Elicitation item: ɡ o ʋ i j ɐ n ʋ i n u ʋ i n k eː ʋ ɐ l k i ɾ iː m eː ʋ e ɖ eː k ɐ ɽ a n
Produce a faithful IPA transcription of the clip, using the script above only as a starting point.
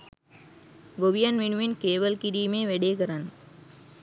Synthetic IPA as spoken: ɡ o ʋ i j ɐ n ʋ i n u ʋ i n k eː ʋ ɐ l k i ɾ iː m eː ʋ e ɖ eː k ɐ ɾ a n